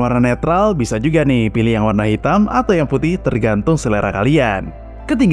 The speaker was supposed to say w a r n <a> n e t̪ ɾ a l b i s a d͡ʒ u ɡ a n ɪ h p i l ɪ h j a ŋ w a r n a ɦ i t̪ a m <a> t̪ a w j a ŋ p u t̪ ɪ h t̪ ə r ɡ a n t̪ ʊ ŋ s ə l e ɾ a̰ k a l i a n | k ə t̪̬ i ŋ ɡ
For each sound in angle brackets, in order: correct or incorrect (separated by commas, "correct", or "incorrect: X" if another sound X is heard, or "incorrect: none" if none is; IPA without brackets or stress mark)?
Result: correct, correct